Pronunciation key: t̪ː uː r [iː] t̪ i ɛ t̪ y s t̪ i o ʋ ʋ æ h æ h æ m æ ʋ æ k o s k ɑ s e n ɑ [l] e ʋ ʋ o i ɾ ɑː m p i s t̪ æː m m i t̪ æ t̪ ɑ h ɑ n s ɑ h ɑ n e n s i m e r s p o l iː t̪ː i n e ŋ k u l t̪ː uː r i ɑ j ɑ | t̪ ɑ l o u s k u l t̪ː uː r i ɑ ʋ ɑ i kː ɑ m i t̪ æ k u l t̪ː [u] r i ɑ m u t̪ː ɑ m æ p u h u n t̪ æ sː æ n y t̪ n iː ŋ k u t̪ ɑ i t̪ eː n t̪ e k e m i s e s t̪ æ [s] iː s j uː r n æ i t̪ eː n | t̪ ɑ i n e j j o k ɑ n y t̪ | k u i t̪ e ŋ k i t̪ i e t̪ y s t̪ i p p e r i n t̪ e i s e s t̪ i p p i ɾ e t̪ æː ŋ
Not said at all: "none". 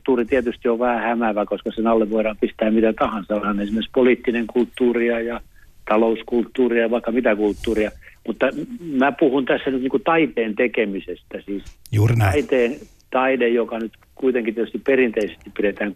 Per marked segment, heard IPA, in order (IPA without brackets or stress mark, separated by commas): i, lː, uː, s